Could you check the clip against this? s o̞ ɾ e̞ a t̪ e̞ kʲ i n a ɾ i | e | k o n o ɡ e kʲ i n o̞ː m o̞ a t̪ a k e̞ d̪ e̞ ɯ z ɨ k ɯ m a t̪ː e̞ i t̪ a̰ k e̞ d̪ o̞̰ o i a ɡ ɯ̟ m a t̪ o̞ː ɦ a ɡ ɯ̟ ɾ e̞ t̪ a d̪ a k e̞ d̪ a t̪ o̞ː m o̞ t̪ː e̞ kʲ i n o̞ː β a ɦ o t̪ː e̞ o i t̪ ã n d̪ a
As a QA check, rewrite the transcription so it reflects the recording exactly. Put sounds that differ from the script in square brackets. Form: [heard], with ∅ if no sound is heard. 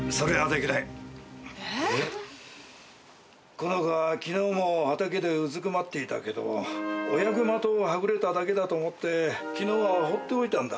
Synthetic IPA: s o̞ ɾ e̞ a [d̪] e̞ kʲ i n a [∅] i | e | k o n o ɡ [a] kʲ i n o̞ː m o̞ a t̪ a k e̞ d̪ e̞ ɯ z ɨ k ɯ m a t̪ː e̞ i t̪ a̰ k e̞ d̪ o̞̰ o [j] a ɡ ɯ̟ m a t̪ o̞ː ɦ a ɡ ɯ̟ ɾ e̞ t̪ a d̪ a k e̞ d̪ a t̪ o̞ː m o̞ t̪ː e̞ kʲ i n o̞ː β a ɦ o t̪ː e̞ o i t̪ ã n d̪ a